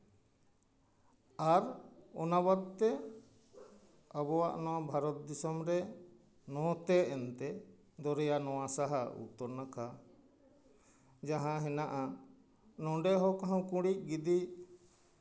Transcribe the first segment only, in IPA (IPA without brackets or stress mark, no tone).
a